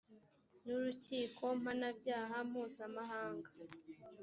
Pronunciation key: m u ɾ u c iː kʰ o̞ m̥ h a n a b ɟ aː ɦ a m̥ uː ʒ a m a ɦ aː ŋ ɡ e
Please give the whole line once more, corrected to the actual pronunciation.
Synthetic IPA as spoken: n u ɾ u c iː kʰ o̞ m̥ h a n a b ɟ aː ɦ a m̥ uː z a m a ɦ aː ŋ ɡ a